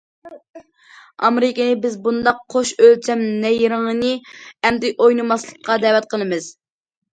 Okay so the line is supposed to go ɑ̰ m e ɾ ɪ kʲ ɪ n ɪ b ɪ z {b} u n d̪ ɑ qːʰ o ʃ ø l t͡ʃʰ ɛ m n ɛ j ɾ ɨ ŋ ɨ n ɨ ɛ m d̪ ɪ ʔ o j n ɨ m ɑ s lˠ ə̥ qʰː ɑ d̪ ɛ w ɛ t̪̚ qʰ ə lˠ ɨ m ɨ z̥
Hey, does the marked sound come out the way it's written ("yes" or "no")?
yes